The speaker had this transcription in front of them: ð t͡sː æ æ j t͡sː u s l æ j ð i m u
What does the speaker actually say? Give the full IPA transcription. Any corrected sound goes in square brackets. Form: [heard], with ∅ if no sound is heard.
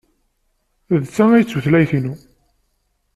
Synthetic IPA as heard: ð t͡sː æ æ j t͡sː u [θ] l æ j [θ] i [n] u